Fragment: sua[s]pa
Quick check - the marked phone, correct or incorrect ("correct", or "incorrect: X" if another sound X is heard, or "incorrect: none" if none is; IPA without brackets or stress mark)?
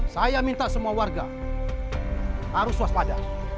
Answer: correct